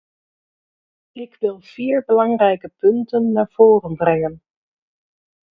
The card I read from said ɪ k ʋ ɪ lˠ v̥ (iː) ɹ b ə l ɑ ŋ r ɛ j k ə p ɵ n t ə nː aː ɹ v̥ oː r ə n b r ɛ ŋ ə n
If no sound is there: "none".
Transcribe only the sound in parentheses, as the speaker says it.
iː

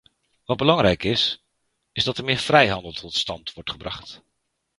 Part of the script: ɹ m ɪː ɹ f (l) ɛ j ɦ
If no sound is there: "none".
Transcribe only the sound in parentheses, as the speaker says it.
r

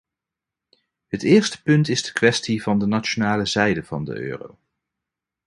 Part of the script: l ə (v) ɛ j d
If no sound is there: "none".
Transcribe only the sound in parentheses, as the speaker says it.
z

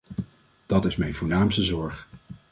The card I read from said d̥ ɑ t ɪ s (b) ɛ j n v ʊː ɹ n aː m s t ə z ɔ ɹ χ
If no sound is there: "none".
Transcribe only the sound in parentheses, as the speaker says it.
m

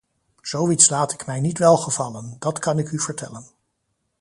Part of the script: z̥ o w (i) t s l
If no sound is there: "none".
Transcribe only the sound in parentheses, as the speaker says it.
i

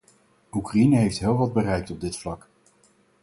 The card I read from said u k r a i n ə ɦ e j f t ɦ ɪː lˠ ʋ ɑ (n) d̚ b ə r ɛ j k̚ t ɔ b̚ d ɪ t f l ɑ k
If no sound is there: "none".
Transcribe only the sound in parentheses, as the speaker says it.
none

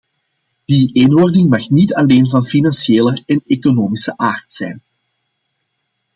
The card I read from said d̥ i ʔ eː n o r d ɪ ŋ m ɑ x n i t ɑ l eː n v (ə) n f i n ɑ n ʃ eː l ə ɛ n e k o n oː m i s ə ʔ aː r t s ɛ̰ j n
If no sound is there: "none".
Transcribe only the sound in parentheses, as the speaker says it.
ɑ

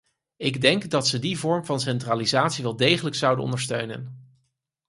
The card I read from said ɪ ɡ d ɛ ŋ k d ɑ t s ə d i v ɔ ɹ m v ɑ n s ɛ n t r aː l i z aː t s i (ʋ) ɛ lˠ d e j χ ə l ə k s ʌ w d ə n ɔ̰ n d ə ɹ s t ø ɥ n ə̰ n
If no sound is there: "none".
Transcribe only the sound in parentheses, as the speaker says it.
ʋ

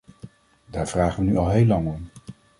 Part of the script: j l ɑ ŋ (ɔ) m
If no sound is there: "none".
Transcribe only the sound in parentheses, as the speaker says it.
ɔ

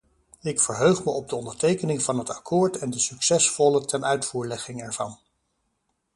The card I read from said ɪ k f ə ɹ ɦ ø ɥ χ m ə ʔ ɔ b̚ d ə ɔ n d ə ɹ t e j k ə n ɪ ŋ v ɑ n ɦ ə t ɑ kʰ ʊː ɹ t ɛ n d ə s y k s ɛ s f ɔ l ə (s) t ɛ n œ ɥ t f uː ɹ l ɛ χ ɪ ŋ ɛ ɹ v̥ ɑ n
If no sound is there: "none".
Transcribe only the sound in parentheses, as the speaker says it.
none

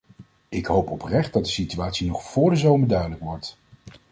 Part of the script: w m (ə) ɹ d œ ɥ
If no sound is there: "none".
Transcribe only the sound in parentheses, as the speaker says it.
ə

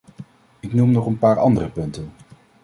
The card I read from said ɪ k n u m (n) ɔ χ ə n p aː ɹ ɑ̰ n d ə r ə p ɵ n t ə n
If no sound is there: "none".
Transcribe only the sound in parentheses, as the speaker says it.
n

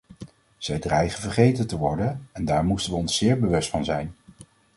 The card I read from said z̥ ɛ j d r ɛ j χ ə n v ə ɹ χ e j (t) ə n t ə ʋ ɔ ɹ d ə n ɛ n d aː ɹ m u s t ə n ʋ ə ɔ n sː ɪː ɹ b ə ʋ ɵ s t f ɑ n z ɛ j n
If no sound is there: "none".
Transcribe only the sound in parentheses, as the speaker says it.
t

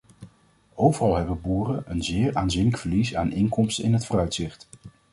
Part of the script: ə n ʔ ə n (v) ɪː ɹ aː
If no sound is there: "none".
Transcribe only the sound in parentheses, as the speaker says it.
z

